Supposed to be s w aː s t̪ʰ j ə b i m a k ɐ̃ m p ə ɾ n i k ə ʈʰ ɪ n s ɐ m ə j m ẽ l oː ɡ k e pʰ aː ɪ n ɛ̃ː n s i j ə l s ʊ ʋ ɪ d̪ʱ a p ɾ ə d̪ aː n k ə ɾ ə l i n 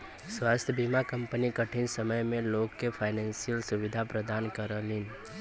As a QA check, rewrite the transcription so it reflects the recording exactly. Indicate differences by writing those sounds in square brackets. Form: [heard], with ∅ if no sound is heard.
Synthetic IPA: s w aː s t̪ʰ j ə b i m a k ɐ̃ m p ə [∅] n i k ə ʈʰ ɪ n s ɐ m ə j m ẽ l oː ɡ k e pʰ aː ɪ n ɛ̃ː n s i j ə l s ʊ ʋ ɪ d̪ʱ a p ɾ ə d̪ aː n k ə ɾ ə l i n